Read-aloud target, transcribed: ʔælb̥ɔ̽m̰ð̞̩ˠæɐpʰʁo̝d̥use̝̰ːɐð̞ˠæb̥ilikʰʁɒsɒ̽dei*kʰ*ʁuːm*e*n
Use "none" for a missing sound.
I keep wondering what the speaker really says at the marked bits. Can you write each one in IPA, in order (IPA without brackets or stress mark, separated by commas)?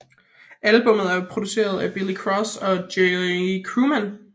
kʰ, æ